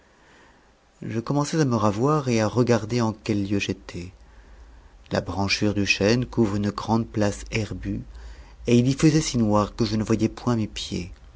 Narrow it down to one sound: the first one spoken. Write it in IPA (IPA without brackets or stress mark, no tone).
ʒ